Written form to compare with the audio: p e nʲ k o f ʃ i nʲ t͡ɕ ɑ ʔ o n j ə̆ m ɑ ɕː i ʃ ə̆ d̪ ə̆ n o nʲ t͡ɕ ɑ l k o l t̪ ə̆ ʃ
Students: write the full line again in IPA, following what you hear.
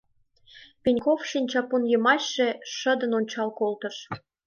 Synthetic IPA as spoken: p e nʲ k o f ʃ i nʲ t͡ɕ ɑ p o n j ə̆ m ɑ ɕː e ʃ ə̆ d̪ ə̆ n o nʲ t͡ɕ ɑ l k o l t̪ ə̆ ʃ